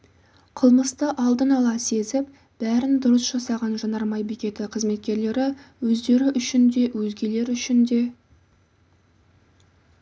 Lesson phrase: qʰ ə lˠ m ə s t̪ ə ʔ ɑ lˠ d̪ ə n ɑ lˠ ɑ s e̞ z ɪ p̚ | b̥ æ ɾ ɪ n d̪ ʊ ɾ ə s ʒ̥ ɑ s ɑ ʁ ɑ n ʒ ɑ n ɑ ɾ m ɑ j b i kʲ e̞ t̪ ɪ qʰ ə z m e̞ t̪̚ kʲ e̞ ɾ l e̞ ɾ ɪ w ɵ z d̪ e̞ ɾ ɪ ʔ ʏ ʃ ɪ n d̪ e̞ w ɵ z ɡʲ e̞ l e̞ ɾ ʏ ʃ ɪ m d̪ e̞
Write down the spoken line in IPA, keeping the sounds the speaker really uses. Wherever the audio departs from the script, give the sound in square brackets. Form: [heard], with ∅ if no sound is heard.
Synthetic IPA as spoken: qʰ ə lˠ m ə s t̪ ə ʔ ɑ lˠ d̪ ə n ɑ lˠ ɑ s e̞ z ɪ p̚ | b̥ æ ɾ ɪ n d̪ ʊ ɾ ə s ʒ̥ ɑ s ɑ ʁ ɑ n ʒ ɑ n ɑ ɾ m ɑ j b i kʲ e̞ t̪ ɪ qʰ ə z m e̞ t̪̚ kʲ e̞ ɾ l e̞ ɾ ɪ w ɵ z d̪ e̞ ɾ ɪ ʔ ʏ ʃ ɪ n d̪ e̞ w ɵ z ɡʲ e̞ l e̞ ɾ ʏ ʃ ɪ [n] d̪ e̞